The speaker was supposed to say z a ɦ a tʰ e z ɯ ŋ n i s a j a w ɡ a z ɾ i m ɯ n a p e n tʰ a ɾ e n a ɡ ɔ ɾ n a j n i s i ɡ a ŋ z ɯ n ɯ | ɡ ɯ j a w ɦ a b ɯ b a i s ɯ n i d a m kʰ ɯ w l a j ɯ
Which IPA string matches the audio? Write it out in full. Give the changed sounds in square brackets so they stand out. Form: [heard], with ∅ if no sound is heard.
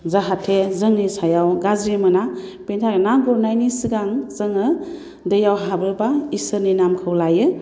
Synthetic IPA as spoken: z a ɦ a tʰ e z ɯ ŋ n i s a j a w ɡ a z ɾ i m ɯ n a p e n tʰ a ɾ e n a ɡ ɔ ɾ n a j n i s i ɡ a ŋ z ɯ [ŋ] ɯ | [d] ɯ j a w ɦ a b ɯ b a i s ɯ n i [n] a m kʰ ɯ w l a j ɯ